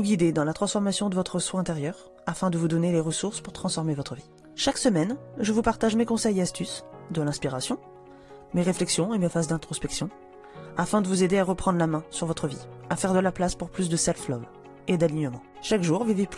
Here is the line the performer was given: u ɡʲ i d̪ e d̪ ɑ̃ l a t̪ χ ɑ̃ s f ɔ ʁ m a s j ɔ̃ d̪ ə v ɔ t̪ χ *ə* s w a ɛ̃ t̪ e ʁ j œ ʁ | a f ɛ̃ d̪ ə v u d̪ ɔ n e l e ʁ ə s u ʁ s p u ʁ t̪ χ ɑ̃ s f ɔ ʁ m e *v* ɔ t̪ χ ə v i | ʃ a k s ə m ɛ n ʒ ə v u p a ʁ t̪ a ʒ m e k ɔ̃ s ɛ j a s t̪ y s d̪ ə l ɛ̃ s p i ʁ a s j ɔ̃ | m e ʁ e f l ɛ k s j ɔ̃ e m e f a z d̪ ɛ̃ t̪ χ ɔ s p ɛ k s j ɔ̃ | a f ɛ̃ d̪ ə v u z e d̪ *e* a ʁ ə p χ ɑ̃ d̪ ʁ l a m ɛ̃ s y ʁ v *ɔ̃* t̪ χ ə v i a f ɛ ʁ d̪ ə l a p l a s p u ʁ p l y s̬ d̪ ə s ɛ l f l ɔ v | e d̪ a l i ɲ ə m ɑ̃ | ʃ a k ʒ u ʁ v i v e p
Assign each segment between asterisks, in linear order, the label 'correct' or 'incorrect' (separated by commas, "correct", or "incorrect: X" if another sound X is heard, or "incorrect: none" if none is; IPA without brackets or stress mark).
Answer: correct, correct, correct, incorrect: ɔ